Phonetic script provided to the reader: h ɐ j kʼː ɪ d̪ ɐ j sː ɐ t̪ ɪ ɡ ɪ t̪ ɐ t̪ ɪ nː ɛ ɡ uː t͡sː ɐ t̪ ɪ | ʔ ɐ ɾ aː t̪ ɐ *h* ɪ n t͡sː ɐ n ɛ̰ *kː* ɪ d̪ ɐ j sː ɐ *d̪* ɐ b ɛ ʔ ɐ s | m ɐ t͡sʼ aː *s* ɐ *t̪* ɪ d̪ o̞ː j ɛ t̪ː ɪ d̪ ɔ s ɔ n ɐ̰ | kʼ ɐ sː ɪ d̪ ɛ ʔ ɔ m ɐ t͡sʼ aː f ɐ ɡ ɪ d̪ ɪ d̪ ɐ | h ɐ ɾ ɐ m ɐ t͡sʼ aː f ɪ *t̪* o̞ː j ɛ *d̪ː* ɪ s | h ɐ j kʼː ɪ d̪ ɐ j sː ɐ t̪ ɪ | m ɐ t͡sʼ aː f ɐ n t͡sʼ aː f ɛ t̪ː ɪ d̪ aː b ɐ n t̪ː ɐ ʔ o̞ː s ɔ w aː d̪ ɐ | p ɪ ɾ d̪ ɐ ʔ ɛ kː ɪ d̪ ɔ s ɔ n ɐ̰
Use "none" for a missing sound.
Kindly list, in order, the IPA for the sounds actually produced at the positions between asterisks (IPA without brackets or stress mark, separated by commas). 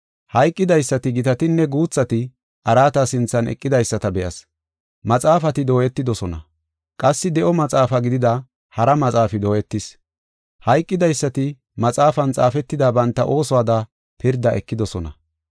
s, kʼː, t̪, f, t̪, d̪, t̪ː